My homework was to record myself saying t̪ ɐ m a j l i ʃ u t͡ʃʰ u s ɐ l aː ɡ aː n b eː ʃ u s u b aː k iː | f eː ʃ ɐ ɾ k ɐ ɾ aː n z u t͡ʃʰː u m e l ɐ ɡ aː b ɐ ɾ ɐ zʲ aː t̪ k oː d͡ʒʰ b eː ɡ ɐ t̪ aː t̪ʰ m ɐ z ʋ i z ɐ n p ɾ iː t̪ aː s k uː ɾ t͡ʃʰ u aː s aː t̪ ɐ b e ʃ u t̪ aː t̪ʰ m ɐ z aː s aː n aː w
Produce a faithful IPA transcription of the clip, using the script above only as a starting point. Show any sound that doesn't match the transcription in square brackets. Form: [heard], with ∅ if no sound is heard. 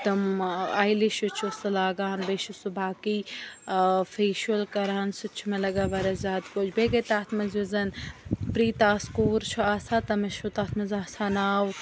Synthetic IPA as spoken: t̪ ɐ m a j l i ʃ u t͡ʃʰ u s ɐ l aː ɡ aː n b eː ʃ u s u b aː k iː | f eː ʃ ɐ [l] k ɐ ɾ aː n [s] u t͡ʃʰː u m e l ɐ ɡ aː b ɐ ɾ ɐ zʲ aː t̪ k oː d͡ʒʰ b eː ɡ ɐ t̪ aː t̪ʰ m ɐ z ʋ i z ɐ n p ɾ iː t̪ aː s k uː ɾ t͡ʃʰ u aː s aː t̪ ɐ [m] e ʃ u t̪ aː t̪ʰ m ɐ z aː s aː n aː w